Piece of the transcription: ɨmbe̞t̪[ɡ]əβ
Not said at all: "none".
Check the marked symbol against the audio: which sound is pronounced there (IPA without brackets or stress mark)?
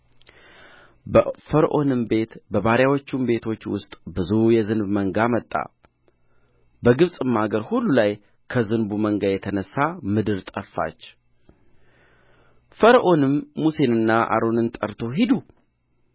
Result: b